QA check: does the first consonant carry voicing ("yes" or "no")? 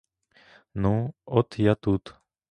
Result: yes